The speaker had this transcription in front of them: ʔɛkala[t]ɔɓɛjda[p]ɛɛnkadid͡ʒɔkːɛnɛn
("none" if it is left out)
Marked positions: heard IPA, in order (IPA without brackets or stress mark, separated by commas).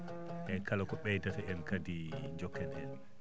k, t